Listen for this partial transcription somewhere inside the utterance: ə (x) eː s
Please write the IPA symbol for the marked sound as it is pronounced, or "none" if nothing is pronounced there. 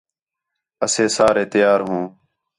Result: s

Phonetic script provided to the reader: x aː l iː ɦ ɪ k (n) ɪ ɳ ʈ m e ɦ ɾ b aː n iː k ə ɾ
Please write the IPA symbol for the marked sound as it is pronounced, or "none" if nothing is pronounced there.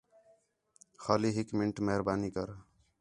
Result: m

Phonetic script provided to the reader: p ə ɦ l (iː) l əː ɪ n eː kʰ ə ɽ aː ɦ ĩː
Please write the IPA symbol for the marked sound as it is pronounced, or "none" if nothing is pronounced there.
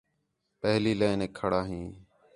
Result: iː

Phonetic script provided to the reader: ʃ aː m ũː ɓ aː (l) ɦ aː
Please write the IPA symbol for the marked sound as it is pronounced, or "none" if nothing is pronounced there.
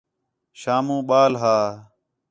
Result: l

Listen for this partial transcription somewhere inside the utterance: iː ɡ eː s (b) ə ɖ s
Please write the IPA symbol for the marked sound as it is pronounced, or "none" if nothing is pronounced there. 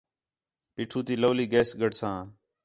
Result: ɡ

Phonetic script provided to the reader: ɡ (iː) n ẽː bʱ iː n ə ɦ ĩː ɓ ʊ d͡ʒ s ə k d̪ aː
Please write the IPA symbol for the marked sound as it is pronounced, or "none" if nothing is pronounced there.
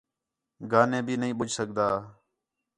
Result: aː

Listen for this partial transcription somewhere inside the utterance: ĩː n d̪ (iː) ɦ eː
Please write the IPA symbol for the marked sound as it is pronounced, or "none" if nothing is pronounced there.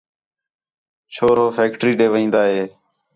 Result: aː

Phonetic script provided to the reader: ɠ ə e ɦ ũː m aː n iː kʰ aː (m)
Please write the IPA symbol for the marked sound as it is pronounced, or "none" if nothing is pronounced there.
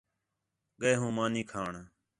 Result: ɳ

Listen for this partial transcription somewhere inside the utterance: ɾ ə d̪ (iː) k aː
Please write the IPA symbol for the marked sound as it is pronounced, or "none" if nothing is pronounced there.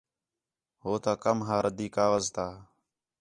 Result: iː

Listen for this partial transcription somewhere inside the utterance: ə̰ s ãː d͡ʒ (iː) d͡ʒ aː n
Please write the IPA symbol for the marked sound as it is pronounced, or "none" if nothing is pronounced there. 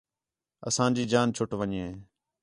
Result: iː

